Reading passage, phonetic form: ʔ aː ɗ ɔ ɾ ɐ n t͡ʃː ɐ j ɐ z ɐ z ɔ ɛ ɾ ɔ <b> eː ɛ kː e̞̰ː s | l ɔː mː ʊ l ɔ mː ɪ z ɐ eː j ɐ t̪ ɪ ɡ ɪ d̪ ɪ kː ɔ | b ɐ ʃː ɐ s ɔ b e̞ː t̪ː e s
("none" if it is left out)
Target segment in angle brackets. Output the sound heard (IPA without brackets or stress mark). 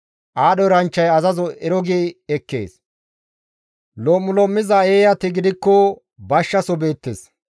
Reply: ɡ